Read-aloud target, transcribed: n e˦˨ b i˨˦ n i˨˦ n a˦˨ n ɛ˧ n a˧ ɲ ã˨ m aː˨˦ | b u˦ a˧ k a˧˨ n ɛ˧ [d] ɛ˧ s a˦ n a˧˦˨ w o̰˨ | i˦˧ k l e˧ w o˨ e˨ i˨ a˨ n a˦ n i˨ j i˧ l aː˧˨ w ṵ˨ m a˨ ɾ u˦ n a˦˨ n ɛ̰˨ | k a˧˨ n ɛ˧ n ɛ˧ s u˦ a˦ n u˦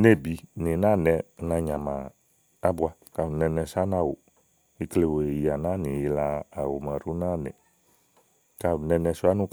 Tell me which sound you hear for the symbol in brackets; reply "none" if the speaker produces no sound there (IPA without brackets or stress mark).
n